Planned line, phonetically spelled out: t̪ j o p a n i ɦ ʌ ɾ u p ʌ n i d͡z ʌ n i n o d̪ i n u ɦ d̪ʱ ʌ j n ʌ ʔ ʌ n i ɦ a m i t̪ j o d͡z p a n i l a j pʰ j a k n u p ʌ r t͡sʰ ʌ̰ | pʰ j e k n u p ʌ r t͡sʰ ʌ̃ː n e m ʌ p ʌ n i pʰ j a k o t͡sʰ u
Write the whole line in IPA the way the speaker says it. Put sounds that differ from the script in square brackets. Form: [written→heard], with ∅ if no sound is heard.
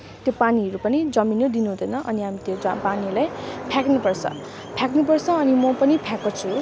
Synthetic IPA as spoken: t̪ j o p a n i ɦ ʌ ɾ u p ʌ n i d͡z ʌ [n→m] i n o d̪ i n u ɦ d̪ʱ ʌ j n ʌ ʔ ʌ n i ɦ a m i t̪ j o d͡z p a n i l a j pʰ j a k n u p ʌ r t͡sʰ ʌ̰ | pʰ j [e→a] k n u p ʌ r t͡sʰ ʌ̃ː n [e→i] m ʌ p ʌ n i pʰ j a k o t͡sʰ u

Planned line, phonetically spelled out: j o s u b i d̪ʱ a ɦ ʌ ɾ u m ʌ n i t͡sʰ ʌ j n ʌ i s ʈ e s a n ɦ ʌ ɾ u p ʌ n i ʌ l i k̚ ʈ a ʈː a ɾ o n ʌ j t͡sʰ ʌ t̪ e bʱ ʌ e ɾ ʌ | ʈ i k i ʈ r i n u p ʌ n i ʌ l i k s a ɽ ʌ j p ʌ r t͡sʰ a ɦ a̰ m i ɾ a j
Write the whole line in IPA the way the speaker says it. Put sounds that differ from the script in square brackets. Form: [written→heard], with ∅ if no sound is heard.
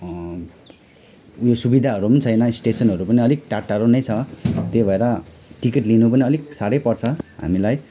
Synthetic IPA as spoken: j o s u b i d̪ʱ a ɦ ʌ ɾ u m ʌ n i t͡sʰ ʌ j n ʌ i s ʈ e s [a→ʌ] n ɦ ʌ ɾ u p ʌ n i ʌ l i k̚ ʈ a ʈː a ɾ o n ʌ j t͡sʰ ʌ t̪ e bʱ ʌ e ɾ ʌ | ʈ i k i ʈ [r→l] i n u p ʌ n i ʌ l i k s a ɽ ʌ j p ʌ r t͡sʰ [a→ʌ] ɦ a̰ m i [ɾ→l] a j

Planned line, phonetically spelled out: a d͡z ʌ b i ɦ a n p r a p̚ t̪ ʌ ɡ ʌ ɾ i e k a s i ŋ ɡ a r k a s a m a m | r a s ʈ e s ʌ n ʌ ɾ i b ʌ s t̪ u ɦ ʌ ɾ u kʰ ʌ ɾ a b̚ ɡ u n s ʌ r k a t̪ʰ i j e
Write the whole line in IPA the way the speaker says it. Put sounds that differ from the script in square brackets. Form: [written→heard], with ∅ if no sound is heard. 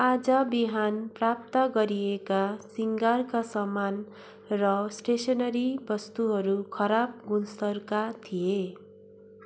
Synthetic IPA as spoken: a d͡z ʌ b i ɦ a n p r a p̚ t̪ ʌ ɡ ʌ ɾ i e k a s i ŋ ɡ a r k a s [a→ʌ] m a [m→n] | r [a→ʌ] s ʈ e s ʌ n ʌ ɾ i b ʌ s t̪ u ɦ ʌ ɾ u kʰ ʌ ɾ a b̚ ɡ u n s ʌ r k a t̪ʰ i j e

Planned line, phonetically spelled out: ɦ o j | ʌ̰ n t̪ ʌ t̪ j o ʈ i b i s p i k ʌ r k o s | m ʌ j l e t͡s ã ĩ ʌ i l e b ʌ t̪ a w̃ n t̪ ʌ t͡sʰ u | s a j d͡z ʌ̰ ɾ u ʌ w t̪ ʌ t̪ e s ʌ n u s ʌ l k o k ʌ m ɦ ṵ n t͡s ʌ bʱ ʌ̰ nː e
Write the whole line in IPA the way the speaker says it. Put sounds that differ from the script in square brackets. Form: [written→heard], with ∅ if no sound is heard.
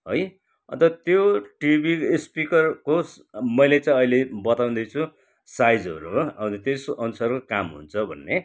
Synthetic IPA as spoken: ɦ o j | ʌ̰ n t̪ ʌ t̪ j o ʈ i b i s p i k ʌ r k o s | m ʌ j l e t͡s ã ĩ ʌ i l e b ʌ t̪ a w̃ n [t̪→d̪] ʌ t͡sʰ u | s a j d͡z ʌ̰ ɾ u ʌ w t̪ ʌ t̪ e s ʌ n u s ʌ [l→r] k o k [ʌ→a] m ɦ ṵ n [t͡s→t͡sʰ] ʌ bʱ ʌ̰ nː e

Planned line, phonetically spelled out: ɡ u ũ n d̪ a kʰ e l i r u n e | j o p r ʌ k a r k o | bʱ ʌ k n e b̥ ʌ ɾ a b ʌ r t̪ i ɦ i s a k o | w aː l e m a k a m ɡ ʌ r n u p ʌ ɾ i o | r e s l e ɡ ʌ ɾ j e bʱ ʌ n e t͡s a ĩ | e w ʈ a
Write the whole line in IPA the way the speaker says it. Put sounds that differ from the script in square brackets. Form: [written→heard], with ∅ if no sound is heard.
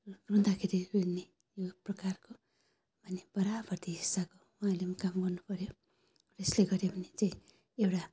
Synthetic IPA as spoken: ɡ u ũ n d̪ a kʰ e [l→ɾ] i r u n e | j o p r ʌ k a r k o | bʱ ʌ [k→∅] n e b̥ ʌ ɾ a b ʌ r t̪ i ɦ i s a k o | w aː l e m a k a m ɡ ʌ r n u p ʌ ɾ [i→j] o | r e s l e ɡ ʌ ɾ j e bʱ ʌ n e t͡s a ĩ | e w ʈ a

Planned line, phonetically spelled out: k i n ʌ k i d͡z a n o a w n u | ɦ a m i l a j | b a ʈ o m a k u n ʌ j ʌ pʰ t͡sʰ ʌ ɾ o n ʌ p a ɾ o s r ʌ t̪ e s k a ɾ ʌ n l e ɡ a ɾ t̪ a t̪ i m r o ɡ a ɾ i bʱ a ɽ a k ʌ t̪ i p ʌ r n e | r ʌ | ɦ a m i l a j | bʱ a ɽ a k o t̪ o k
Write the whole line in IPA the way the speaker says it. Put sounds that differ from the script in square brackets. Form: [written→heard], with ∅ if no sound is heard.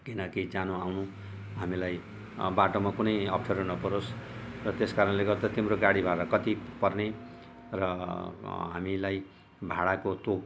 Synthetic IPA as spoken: k i n ʌ k i d͡z a n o a w n u | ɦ a m i l a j | b a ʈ o m a k u n ʌ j ʌ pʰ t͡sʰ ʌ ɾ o n ʌ p [a→ʌ] ɾ o s r ʌ t̪ e s k a ɾ ʌ n l e ɡ [a→ʌ] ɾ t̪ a t̪ i m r o ɡ a [ɾ→ɽ] i bʱ a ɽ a k ʌ t̪ i p ʌ r n e | r ʌ | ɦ a m i l a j | bʱ a ɽ a k o t̪ o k

